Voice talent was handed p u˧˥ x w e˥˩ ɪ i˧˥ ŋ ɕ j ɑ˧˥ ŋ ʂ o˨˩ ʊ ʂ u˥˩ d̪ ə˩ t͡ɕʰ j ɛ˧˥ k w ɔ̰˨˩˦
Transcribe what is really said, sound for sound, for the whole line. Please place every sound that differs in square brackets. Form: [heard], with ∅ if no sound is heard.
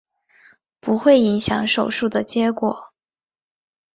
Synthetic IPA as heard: p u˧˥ x w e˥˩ ɪ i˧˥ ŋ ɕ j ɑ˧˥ ŋ ʂ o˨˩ ʊ ʂ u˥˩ d̪ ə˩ [t͡ɕ] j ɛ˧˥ k w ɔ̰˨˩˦